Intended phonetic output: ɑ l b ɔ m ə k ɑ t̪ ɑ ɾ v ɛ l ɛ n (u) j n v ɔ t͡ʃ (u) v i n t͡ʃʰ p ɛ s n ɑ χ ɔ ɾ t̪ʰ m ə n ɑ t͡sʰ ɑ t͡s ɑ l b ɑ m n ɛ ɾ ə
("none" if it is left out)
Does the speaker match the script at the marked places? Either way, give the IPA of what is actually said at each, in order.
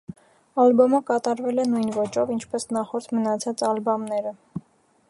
u, ɔ

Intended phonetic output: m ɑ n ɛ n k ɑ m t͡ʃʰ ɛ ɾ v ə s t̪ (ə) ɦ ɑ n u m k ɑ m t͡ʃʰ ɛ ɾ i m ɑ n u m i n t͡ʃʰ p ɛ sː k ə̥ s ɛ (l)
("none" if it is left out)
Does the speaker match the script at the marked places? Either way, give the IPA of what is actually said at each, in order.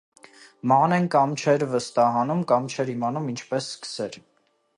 ɑ, ɾ

